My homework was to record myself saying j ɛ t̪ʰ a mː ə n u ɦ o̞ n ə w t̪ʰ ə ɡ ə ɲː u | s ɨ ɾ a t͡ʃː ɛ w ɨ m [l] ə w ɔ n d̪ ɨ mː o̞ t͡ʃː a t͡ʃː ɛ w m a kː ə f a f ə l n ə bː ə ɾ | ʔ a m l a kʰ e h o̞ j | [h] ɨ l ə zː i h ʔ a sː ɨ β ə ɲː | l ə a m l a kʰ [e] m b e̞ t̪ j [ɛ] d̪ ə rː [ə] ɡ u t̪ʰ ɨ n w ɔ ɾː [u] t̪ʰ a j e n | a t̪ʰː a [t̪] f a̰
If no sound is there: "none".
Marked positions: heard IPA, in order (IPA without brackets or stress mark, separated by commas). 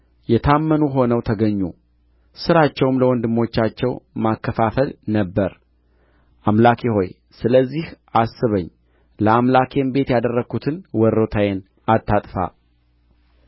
l, s, e, a, ə, o, t̪ʼ